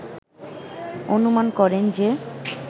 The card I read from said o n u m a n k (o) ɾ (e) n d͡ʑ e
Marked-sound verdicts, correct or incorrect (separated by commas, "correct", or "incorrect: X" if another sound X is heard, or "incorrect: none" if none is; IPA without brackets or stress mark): incorrect: ɔ, correct